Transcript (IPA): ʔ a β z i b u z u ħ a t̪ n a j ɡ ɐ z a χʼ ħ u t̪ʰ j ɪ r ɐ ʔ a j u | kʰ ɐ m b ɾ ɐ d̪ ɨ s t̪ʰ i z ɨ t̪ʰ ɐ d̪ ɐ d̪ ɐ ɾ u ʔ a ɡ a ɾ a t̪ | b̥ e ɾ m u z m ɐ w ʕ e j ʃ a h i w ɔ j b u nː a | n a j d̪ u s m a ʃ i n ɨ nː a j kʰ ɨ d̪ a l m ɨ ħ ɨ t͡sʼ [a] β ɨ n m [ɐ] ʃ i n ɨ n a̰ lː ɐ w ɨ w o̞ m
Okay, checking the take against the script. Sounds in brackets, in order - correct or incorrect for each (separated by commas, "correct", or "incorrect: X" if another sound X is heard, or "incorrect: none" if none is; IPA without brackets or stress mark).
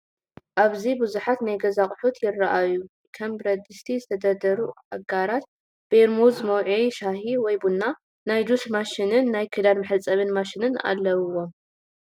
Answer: incorrect: ɐ, incorrect: a